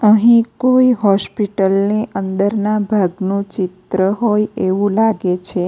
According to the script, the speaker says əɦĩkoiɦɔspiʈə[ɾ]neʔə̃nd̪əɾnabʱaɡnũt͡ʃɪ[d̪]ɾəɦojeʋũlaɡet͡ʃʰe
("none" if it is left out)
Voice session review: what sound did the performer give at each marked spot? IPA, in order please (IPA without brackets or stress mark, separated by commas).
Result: l, t̪